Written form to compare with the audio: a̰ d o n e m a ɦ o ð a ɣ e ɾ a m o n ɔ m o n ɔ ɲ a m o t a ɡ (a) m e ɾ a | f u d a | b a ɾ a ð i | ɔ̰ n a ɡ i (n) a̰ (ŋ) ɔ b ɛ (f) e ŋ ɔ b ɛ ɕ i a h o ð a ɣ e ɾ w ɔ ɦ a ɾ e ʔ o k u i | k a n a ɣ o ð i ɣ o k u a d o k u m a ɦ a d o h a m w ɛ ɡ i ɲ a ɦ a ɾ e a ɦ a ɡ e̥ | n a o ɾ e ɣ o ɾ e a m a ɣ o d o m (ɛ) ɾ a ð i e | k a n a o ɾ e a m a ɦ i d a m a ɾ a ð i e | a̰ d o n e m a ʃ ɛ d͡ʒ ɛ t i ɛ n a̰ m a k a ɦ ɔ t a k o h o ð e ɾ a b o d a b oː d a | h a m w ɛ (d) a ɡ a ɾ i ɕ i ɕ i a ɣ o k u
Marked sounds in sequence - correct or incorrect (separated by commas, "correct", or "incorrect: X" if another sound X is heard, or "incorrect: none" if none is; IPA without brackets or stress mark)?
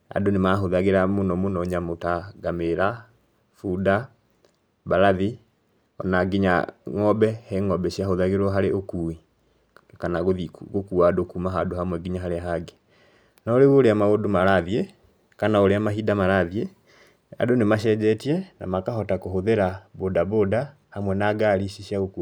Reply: correct, incorrect: ɲ, correct, incorrect: h, incorrect: a, incorrect: n